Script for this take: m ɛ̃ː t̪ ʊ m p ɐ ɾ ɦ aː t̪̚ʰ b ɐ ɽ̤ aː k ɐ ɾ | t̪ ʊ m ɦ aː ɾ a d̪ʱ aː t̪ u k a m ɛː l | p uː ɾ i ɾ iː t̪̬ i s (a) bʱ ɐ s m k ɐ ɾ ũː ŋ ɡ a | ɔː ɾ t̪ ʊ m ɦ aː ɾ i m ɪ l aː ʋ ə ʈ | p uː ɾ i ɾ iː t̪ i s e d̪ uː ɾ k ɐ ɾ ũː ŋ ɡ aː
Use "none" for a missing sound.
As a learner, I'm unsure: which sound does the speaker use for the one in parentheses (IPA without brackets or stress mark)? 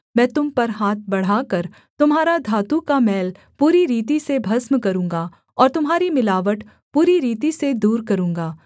e